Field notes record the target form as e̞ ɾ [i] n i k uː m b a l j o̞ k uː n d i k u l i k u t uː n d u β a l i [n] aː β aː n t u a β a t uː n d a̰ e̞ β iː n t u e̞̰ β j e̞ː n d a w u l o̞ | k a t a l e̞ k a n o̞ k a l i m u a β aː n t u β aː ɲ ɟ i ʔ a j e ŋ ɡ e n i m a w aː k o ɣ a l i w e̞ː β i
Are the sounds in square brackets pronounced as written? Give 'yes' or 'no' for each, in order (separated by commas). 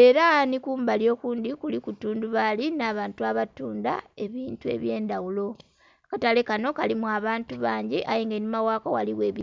no, yes